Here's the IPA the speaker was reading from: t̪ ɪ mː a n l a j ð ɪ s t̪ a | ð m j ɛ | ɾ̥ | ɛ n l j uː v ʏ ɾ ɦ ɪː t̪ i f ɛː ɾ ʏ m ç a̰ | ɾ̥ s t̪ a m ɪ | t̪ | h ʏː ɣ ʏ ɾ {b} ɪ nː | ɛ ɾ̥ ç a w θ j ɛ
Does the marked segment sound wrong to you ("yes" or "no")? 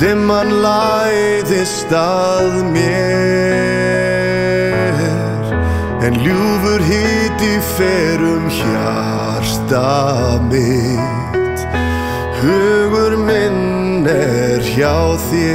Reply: yes